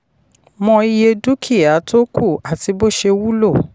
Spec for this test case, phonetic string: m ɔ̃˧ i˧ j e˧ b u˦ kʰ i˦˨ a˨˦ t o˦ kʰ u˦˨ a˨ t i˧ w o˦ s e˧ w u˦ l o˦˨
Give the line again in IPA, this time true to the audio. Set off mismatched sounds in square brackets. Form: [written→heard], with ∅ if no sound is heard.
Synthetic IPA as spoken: m ɔ̃˧ i˧ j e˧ [b→d] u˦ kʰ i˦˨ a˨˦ t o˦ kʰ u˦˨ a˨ t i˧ [w→b] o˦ [s→ʃ] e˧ w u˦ l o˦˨